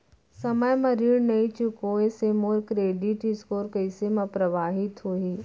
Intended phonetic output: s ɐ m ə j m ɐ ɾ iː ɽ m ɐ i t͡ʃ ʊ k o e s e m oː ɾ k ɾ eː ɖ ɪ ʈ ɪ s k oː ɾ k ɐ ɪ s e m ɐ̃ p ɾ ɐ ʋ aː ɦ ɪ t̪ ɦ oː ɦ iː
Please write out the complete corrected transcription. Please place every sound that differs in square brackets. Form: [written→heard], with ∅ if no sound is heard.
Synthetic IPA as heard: s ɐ m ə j m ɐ ɾ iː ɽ [m→n] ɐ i t͡ʃ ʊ k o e s e m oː ɾ k ɾ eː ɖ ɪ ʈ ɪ s k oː ɾ k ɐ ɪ s e m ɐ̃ p ɾ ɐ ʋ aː ɦ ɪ t̪ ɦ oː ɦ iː